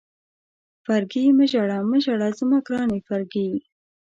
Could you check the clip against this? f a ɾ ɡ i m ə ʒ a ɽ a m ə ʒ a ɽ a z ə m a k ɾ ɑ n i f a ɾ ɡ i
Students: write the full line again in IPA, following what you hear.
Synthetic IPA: f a ɾ ɡ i m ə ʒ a ɽ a m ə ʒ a ɽ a z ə m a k ɾ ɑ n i f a ɾ ɡ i